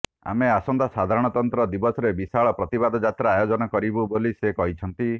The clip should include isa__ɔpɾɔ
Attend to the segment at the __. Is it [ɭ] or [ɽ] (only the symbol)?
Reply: ɭ